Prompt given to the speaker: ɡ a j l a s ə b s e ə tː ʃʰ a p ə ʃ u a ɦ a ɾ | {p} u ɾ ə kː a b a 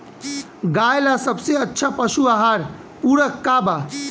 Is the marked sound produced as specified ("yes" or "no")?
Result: yes